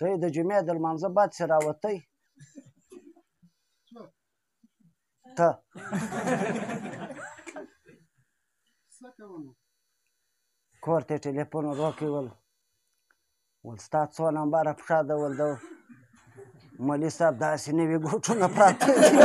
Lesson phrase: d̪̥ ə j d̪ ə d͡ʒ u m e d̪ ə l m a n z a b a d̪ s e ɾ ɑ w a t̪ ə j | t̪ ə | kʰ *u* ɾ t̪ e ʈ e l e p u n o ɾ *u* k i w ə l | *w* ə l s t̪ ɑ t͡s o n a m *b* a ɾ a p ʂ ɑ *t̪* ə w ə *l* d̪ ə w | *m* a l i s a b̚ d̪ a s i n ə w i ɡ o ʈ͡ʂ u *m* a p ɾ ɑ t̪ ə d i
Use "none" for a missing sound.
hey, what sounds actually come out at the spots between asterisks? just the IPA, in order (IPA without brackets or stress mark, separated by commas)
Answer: o, o, w, b, d̪, l, m, n